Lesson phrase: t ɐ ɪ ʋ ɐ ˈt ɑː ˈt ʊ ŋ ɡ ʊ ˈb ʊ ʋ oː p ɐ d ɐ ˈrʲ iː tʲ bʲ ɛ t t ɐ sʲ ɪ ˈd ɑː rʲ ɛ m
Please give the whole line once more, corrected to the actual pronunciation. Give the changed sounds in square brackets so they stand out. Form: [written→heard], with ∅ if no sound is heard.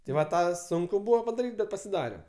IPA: t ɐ ɪ ʋ ɐ ˈt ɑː [ˈt→ˈs] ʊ ŋ [ɡ→k] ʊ ˈb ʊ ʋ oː p ɐ d ɐ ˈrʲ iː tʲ bʲ ɛ t [t→p] ɐ sʲ ɪ ˈd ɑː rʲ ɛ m